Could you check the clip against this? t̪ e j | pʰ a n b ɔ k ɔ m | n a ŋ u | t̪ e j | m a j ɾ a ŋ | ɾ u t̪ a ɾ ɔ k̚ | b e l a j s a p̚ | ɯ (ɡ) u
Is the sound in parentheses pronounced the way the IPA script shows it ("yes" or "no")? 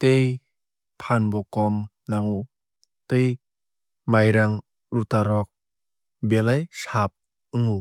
no